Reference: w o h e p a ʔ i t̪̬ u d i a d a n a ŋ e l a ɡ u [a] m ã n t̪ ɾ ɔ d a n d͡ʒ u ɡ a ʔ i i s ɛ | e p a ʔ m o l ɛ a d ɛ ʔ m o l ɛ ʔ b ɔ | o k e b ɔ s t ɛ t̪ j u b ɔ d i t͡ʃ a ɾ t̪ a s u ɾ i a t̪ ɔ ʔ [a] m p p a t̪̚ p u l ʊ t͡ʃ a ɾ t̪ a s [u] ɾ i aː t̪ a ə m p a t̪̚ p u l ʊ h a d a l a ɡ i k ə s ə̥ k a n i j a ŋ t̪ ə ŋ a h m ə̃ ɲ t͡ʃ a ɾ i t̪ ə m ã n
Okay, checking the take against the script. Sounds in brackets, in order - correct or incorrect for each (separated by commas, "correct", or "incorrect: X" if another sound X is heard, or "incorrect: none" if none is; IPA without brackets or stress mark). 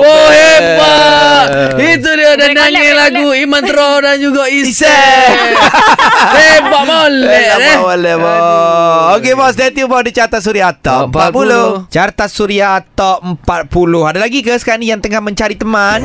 incorrect: i, incorrect: ə, correct